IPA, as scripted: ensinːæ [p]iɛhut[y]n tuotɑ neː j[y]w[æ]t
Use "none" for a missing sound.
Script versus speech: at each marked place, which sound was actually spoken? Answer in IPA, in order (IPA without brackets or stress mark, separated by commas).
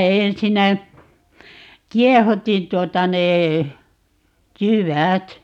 k, i, y, æ